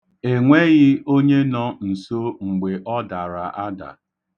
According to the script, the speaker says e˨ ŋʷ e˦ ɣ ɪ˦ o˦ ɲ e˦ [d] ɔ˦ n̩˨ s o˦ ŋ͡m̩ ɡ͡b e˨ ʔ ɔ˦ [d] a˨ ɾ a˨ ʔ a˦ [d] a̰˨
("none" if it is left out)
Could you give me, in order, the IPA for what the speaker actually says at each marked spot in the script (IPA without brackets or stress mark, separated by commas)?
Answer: n, d, d